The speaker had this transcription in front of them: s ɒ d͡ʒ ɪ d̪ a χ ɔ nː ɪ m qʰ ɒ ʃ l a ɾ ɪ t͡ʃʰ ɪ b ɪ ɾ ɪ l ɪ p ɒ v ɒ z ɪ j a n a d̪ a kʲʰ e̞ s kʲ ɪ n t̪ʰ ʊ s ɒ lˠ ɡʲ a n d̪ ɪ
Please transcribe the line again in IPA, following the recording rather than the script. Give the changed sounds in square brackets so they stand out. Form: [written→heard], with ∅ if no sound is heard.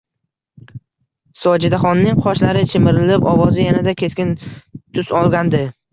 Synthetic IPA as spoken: s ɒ d͡ʒ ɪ d̪ a χ [ɔ→ɒ] nː ɪ [m→ŋ] qʰ ɒ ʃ l a ɾ ɪ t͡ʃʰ ɪ [b→m] ɪ ɾ ɪ l ɪ p ɒ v ɒ z ɪ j a n a d̪ a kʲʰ e̞ s kʲ ɪ n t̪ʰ ʊ s ɒ lˠ ɡʲ a n d̪ ɪ